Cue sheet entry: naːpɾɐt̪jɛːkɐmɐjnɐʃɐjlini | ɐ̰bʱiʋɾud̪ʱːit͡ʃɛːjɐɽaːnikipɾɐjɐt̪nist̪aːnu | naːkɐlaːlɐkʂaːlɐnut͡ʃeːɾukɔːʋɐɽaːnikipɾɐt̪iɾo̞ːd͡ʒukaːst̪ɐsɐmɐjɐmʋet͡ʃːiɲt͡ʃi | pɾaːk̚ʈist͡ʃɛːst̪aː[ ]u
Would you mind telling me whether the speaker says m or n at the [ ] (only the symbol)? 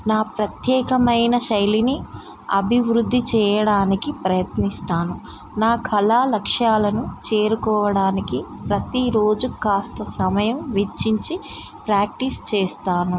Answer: n